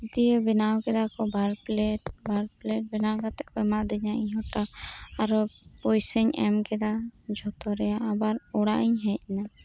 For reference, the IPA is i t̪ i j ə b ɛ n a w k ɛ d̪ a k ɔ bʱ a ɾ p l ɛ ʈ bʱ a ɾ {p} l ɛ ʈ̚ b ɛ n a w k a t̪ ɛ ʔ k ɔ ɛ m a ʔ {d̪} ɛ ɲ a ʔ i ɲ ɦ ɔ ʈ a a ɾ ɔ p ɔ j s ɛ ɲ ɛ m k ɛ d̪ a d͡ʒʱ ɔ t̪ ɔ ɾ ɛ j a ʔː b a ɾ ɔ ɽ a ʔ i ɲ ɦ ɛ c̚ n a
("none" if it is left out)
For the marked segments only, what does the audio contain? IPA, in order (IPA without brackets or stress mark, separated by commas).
p, d̪